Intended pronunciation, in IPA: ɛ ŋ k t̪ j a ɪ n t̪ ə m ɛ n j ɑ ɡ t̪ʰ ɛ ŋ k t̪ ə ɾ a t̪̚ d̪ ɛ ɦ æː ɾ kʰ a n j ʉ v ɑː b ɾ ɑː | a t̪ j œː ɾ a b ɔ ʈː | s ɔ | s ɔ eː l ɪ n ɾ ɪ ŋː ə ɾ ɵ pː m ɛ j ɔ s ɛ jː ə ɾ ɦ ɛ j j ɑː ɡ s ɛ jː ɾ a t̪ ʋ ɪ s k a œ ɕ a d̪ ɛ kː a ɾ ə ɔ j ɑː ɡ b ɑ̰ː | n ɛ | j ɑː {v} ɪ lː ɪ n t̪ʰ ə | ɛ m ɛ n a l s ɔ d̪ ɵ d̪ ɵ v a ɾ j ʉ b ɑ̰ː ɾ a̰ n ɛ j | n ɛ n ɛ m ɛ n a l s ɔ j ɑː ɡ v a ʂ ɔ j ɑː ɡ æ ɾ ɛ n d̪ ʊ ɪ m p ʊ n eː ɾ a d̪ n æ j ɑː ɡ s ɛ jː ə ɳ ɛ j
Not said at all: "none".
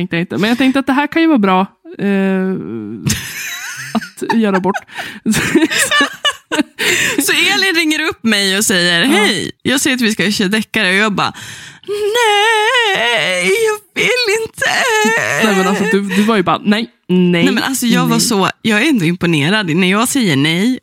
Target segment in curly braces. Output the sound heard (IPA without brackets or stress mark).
v